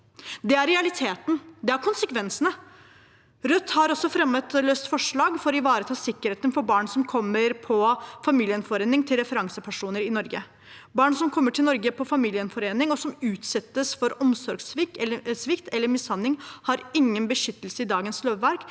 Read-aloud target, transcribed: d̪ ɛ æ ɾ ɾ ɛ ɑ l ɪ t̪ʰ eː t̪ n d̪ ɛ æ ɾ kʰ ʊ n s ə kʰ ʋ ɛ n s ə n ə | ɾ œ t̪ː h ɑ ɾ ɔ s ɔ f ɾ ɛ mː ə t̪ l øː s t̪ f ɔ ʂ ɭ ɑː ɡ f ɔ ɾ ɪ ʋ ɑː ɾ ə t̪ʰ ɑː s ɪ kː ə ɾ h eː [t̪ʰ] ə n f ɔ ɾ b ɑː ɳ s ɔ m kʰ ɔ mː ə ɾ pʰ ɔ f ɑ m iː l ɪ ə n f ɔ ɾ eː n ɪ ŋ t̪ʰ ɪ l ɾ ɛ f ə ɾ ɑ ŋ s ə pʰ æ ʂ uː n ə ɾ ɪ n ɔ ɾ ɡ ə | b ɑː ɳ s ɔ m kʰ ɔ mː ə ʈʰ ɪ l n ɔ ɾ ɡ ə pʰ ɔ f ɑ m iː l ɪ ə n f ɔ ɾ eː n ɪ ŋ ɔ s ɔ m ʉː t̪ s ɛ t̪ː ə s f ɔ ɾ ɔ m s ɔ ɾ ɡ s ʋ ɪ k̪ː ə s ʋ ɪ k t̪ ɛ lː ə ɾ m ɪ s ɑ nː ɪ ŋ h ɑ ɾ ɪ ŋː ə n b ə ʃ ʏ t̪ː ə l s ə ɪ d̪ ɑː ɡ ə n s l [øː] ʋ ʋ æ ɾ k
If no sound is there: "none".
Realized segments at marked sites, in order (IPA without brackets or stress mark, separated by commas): t̪, øː